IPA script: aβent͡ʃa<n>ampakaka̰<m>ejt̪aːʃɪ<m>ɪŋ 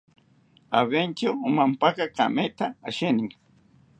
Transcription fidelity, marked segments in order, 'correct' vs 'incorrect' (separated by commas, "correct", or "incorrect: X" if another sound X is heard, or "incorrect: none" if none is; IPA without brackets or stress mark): incorrect: m, correct, incorrect: n